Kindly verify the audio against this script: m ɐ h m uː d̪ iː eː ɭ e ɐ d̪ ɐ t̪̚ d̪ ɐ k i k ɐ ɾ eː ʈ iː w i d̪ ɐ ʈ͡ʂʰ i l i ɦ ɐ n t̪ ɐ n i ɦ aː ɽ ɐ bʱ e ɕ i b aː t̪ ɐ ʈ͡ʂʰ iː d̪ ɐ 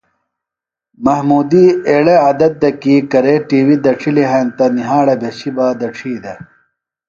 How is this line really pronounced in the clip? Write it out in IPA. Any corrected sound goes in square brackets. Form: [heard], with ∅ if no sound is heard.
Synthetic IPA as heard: m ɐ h m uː d̪ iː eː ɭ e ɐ d̪ ɐ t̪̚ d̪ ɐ k i k ɐ ɾ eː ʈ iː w i d̪ ɐ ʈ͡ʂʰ i l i ɦ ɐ n t̪ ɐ n i ɦ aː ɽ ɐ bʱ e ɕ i b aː [d̪] ɐ ʈ͡ʂʰ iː d̪ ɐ